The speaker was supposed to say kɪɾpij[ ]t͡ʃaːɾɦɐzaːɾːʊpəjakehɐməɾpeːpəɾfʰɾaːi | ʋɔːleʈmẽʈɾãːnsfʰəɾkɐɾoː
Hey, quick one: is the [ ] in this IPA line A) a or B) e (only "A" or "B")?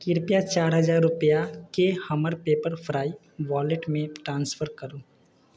A